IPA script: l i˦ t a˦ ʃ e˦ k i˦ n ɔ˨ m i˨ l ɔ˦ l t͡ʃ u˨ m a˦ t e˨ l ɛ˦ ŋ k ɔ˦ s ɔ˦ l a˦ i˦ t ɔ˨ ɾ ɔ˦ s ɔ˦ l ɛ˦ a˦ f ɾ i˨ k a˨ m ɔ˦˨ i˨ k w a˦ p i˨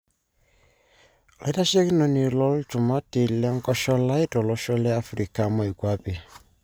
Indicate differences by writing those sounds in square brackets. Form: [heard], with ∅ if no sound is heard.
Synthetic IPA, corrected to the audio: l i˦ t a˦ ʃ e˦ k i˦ n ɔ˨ [n] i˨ l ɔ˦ l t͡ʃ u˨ m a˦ t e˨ l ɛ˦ ŋ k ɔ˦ [ʃ] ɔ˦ l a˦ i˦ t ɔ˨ [l] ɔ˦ [ʃ] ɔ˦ l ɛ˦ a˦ f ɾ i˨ k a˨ m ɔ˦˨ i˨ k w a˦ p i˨